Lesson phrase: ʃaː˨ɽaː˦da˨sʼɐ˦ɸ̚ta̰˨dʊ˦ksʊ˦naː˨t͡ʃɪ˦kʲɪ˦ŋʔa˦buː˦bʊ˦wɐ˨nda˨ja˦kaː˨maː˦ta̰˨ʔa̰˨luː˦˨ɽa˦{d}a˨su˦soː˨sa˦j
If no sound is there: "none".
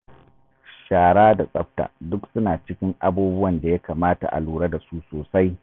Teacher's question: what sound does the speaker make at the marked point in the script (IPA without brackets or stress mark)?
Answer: d